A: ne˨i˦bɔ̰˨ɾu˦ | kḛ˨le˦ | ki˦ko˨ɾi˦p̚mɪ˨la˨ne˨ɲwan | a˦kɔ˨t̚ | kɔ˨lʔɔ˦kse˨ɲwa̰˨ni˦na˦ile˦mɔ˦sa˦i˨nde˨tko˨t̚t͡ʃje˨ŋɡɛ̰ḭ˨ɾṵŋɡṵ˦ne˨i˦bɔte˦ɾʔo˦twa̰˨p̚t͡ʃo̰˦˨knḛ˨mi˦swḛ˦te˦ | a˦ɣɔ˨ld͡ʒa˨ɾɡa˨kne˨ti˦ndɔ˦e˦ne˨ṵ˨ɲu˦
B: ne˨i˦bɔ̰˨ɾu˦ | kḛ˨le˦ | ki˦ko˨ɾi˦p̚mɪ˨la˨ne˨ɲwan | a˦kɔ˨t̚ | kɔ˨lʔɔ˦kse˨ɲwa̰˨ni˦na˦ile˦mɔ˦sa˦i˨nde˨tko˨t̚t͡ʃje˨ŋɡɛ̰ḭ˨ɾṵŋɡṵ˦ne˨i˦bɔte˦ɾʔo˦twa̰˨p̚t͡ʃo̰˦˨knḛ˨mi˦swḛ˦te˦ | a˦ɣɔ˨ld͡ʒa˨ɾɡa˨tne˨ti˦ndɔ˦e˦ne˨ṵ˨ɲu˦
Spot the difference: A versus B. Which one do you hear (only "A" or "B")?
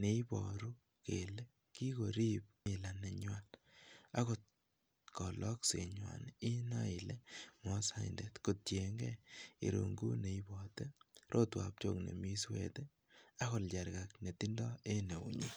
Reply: A